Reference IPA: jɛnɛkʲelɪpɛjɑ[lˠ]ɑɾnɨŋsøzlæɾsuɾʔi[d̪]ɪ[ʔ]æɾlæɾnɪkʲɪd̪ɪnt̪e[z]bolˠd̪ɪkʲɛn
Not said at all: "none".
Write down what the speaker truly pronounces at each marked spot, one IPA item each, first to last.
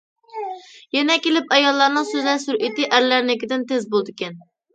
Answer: lˠː, t̪, ʔ, z

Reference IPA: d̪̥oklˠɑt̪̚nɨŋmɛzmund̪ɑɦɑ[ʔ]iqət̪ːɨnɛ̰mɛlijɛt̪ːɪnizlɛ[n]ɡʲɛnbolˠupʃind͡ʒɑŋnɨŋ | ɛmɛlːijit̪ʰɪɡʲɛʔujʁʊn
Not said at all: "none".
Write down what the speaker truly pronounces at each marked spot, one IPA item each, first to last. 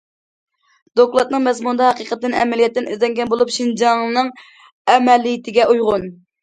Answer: q, ŋ

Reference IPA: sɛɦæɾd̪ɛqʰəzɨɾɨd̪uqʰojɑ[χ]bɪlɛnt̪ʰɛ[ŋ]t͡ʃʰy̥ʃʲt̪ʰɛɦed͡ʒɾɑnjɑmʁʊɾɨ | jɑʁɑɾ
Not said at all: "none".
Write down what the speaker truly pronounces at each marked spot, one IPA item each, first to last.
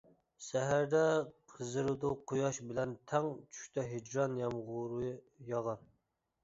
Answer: ʃ, ŋ

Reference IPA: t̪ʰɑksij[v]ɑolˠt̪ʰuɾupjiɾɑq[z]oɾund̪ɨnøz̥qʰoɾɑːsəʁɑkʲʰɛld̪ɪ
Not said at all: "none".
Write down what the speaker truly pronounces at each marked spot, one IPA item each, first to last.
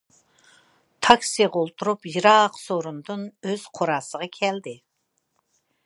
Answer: ʁ, s

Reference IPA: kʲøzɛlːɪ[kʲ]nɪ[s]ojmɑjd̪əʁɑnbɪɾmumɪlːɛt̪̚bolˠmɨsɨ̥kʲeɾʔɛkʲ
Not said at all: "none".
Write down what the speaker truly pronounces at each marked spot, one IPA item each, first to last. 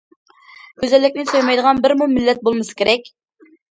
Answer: kʲ, s

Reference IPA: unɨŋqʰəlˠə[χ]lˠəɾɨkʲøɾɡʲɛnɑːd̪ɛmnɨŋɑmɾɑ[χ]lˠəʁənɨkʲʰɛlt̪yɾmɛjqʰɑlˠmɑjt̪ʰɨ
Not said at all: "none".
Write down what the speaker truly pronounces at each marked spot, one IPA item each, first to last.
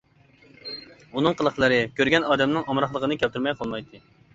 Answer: χ, χ

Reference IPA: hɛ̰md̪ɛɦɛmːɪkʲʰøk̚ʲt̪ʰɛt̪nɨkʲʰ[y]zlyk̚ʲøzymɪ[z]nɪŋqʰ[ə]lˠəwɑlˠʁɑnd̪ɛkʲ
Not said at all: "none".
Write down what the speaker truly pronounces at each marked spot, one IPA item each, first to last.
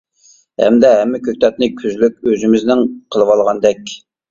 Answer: y, z, ə

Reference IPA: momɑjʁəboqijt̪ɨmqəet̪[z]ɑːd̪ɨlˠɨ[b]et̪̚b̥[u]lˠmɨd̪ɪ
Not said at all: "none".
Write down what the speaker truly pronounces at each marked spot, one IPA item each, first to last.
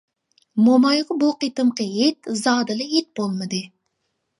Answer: z, none, o

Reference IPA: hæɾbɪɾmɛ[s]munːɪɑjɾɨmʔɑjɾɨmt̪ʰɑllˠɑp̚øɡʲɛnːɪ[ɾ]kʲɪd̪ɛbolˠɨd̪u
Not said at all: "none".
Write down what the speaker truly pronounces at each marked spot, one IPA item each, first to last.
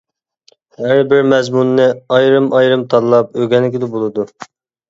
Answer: z, none

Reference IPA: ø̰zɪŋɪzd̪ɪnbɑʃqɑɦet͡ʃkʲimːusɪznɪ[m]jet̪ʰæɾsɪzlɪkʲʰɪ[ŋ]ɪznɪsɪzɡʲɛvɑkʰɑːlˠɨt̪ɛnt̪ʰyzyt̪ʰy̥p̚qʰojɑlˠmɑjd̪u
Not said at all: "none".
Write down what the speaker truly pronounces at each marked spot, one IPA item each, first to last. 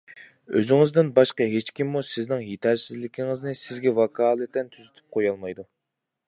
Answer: ŋ, ŋ

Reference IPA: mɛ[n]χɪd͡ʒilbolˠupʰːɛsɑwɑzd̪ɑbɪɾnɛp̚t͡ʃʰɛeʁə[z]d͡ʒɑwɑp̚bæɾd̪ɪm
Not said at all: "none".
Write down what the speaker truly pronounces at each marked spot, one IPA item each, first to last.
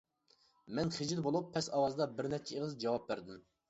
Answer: n, z

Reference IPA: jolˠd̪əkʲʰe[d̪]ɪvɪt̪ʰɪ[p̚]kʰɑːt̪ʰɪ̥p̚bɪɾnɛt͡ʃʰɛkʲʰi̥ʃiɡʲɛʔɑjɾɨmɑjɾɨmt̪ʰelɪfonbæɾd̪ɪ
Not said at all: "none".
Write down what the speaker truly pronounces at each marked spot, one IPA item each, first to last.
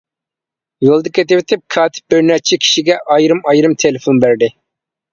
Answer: t̪, p̚

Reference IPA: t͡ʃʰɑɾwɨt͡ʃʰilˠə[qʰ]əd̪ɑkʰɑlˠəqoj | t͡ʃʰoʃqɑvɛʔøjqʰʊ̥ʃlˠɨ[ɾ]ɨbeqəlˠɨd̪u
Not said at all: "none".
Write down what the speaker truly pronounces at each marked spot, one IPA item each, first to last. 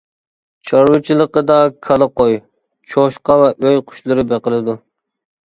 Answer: q, ɾ

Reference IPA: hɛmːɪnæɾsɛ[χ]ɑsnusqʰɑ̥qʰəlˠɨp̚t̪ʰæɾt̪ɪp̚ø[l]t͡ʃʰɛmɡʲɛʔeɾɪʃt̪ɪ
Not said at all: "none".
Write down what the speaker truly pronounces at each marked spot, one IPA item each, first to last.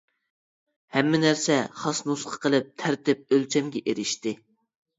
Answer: χ, l

